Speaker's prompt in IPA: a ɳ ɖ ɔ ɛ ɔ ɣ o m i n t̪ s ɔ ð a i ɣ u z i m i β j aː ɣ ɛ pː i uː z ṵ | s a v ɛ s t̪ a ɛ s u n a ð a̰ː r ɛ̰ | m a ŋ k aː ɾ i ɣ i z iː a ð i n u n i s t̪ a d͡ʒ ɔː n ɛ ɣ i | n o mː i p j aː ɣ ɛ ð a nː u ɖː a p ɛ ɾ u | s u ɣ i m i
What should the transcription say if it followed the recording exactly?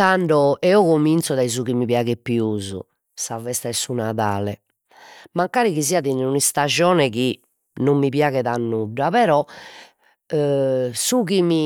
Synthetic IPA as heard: a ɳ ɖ ɔ ɛ ɔ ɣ o m i n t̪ s ɔ ð a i z u ɣ i m i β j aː ɣ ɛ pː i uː z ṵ | s a v ɛ s t̪ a ɛ s u n a ð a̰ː l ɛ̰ | m a ŋ k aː ɾ i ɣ i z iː a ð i n u n i s t̪ a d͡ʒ ɔː n ɛ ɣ i | n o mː i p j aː ɣ ɛ ð a nː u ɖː a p ɛ ɾ ɔ | s u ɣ i m i